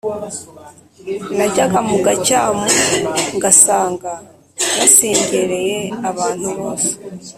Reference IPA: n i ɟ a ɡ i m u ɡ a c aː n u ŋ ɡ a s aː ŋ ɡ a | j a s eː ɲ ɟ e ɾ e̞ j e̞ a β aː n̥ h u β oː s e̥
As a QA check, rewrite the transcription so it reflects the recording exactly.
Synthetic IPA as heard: n a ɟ a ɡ a m u ɡ a c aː m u ŋ ɡ a s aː ŋ ɡ a | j a s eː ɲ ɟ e ɾ e̞ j e̞ a β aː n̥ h u β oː s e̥